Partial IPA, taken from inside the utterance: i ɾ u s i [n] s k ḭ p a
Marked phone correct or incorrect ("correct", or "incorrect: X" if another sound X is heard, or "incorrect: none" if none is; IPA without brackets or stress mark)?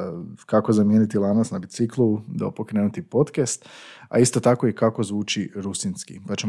correct